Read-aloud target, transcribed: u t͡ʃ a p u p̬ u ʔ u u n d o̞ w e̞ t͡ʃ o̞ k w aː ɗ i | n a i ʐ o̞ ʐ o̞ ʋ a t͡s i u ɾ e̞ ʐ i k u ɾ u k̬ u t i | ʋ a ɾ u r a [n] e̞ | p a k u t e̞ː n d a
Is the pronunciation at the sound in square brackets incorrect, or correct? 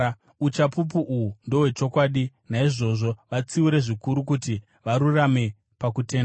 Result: incorrect